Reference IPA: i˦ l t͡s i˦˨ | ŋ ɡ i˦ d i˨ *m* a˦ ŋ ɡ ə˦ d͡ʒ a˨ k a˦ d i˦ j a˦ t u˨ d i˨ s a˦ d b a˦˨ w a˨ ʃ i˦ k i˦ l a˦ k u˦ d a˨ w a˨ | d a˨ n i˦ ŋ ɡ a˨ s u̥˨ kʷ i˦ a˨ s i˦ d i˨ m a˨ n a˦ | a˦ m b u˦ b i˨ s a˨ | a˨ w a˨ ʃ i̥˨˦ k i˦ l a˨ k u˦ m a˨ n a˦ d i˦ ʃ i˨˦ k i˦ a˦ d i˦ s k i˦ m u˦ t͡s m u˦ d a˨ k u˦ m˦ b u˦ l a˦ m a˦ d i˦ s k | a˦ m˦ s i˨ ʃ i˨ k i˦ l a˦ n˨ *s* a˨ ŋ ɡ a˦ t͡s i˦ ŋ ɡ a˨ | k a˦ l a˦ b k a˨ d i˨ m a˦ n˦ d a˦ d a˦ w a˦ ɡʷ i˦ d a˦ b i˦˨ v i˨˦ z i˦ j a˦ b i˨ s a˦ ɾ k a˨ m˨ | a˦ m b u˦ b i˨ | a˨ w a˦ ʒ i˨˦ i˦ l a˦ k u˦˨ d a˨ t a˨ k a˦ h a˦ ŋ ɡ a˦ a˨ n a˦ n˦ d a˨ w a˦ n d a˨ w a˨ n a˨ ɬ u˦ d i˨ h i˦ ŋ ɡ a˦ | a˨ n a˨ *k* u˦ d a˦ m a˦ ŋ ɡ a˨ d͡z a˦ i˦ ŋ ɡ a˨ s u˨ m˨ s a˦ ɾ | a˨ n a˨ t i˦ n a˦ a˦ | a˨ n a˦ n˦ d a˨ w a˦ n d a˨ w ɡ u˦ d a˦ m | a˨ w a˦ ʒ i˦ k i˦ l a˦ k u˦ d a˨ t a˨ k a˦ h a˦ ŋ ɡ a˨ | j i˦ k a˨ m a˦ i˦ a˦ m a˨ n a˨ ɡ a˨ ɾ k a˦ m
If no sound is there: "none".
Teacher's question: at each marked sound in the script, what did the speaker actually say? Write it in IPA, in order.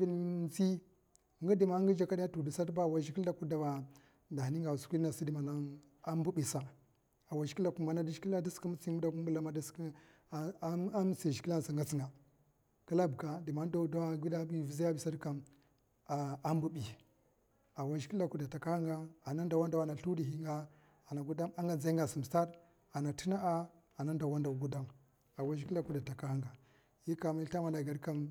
m, s, ɡ

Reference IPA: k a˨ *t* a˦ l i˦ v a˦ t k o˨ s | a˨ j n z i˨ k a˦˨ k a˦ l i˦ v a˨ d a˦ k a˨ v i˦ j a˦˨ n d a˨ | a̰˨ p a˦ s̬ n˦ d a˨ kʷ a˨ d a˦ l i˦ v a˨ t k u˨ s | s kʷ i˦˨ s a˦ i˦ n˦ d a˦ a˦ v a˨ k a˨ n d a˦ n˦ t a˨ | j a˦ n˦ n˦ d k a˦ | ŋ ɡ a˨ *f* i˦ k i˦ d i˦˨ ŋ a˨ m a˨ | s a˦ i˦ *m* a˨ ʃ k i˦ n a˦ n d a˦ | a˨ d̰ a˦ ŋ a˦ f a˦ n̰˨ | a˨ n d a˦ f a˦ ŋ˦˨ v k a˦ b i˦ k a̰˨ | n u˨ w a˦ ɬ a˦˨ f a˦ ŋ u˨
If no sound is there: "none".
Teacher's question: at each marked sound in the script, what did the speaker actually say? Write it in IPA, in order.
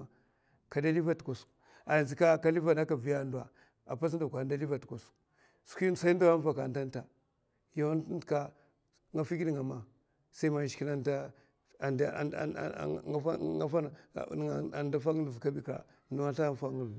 d, f, m

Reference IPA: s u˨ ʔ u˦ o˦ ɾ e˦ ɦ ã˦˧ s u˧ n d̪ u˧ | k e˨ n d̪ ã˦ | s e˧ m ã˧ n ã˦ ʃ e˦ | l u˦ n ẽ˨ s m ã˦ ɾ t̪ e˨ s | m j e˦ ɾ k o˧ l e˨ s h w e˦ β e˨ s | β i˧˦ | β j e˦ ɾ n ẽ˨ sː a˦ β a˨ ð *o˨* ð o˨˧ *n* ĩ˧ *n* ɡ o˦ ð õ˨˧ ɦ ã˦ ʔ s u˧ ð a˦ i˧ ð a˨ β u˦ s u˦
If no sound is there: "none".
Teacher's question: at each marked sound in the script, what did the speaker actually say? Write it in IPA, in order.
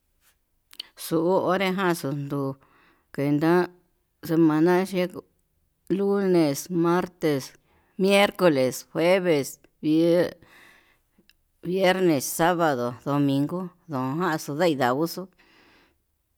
o˨, m, ŋ

